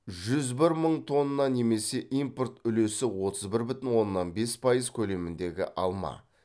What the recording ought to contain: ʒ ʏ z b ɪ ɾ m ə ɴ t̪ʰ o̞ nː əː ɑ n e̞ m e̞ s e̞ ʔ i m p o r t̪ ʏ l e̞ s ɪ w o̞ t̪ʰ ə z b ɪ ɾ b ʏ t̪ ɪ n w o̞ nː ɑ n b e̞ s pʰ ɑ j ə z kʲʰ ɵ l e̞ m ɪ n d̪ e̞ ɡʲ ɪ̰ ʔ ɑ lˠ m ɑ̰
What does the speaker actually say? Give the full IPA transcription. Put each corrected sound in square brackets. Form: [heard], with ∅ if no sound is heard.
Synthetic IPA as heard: ʒ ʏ z b ɪ ɾ m ə ɴ t̪ʰ o̞ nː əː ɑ n e̞ m e̞ s e̞ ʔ i m p o r t̪ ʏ l e̞ s ɪ w o̞ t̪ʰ ə z b ɪ ɾ b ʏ t̪ ɪ n w o̞ nː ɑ n b e̞ s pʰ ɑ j ə z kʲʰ ɵ l e̞ m ɪ n d̪ e̞ ɡʲ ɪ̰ ʔ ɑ lˠ m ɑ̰

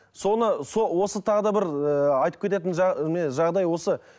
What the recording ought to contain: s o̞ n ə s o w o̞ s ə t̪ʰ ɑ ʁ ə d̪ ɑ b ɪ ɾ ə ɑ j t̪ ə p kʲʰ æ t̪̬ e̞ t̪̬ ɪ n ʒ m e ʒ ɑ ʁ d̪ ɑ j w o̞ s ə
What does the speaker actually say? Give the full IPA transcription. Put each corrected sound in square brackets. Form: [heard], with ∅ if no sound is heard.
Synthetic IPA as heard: s o̞ n ə s o w o̞ s ə t̪ʰ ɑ ʁ ə d̪ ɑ b ɪ ɾ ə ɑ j t̪ ə p kʲʰ [e] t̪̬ e̞ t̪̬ ɪ n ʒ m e ʒ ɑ ʁ d̪ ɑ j w o̞ s ə

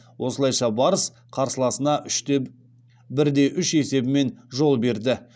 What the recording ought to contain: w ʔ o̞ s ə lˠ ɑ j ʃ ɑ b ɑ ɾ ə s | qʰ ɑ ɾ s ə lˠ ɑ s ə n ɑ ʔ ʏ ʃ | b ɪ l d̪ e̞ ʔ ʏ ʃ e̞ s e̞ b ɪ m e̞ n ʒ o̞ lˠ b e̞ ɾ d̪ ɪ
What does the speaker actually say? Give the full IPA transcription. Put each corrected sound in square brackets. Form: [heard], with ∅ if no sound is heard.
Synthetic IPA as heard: w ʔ o̞ s ə lˠ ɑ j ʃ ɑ b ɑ ɾ ə s | qʰ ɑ ɾ s ə lˠ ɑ s ə n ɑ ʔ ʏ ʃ | b ɪ [ɾ] d̪ e̞ ʔ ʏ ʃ e̞ s e̞ b ɪ m e̞ n ʒ o̞ lˠ b e̞ ɾ d̪ ɪ

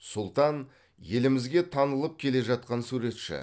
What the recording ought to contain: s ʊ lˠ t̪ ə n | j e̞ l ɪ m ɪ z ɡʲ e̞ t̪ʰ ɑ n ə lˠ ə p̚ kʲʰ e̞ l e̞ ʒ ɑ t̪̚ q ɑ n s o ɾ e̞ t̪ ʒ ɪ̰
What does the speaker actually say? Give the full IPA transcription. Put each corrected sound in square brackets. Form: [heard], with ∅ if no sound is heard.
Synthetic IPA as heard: s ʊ lˠ t̪ [ɑ] n | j e̞ l ɪ m ɪ z ɡʲ e̞ t̪ʰ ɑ n ə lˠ ə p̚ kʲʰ e̞ l e̞ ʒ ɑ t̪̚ q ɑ n s [u] ɾ e̞ t̪ [ʃ] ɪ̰

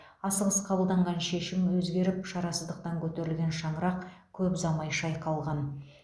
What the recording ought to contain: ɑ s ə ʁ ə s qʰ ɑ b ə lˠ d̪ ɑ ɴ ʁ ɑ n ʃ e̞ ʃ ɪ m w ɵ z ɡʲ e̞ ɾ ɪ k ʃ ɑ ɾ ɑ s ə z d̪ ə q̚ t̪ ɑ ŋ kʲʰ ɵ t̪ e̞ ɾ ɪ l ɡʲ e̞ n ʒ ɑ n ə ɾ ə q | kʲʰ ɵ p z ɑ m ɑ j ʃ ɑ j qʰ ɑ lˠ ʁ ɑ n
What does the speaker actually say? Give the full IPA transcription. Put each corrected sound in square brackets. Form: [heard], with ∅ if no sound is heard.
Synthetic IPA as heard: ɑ s ə ʁ ə s qʰ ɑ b ə lˠ d̪ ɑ ɴ ʁ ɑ n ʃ e̞ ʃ ɪ m w ɵ z ɡʲ e̞ ɾ ɪ [p] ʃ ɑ ɾ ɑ s ə z d̪ ə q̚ t̪ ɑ ŋ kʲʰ ɵ t̪ e̞ ɾ ɪ l ɡʲ e̞ n [ʃ] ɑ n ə ɾ [ɑ] q | kʲʰ ɵ p z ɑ m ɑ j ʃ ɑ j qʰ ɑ lˠ ʁ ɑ n

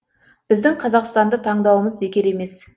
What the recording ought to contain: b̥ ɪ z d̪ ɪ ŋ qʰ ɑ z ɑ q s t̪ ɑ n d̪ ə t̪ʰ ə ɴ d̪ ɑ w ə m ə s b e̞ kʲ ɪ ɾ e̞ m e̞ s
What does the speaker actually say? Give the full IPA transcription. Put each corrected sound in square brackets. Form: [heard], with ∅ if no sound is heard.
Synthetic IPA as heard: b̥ ɪ z d̪ ɪ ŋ qʰ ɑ z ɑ q s t̪ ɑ n d̪ ə t̪ʰ [ɑ] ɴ d̪ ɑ w ə m ə [z] b e̞ kʲ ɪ ɾ e̞ m e̞ s

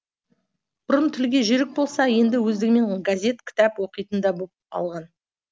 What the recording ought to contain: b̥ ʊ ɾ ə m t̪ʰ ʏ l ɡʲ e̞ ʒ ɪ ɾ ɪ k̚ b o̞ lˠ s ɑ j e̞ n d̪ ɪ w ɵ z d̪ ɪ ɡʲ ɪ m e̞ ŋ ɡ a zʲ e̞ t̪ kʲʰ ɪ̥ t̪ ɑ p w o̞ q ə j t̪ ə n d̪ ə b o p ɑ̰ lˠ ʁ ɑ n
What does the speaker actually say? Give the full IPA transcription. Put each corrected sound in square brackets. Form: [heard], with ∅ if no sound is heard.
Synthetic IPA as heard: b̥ ʊ ɾ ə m t̪ʰ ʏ l ɡʲ e̞ ʒ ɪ ɾ ɪ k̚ b o̞ lˠ s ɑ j e̞ n d̪ ɪ w ɵ z d̪ ɪ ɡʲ ɪ m e̞ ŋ ɡ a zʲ e̞ t̪ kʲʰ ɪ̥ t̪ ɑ p w o̞ q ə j t̪ ə n d̪ [ɑ] b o p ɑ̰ lˠ ʁ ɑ n

